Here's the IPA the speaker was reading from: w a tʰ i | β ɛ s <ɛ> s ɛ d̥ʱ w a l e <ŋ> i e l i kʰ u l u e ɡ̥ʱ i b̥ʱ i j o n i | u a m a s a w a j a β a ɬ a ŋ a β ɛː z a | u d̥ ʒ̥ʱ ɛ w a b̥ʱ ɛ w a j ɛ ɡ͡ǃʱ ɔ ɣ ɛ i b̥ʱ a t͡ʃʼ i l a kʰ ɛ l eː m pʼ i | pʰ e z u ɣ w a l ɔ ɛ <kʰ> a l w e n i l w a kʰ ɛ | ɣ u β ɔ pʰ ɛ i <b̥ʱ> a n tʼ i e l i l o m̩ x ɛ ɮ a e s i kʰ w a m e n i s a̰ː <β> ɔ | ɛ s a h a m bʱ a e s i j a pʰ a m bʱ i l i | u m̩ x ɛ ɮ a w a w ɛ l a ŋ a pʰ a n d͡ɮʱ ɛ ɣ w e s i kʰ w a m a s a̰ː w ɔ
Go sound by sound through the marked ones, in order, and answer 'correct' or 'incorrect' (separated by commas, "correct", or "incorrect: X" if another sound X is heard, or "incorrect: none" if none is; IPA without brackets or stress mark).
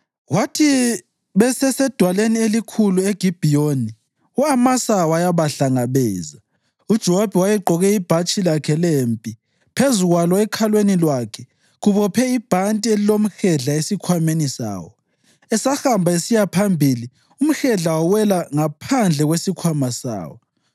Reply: correct, incorrect: n, correct, correct, incorrect: w